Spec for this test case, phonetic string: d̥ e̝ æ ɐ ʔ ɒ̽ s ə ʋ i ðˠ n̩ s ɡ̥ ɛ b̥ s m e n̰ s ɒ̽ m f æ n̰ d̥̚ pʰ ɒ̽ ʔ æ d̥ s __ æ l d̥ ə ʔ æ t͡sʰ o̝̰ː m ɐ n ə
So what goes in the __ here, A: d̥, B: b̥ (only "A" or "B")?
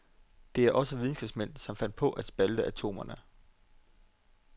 B